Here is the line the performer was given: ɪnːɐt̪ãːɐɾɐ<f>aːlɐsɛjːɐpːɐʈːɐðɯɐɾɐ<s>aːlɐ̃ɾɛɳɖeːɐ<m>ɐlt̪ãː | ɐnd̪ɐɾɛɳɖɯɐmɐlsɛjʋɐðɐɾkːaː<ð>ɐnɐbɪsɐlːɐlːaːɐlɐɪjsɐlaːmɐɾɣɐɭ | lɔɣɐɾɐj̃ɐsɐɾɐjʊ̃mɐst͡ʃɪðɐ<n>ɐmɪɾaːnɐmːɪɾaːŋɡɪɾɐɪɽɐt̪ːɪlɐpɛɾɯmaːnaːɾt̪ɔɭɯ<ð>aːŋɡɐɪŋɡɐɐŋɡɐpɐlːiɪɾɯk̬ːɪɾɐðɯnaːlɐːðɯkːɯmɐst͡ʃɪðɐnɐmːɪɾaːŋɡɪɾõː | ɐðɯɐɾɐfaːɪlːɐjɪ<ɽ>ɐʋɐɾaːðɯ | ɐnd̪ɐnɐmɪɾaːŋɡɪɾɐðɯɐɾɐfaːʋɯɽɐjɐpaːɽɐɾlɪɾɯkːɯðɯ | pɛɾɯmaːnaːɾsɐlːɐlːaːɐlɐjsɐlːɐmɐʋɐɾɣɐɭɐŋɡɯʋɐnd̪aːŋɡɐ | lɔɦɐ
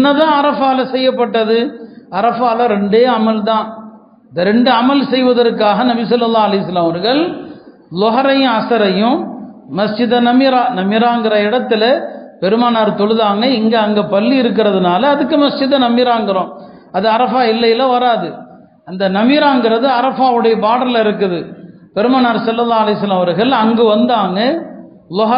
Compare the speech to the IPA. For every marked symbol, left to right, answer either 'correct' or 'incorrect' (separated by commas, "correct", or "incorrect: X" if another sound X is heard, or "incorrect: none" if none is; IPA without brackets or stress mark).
correct, incorrect: f, correct, incorrect: ɣ, correct, correct, incorrect: l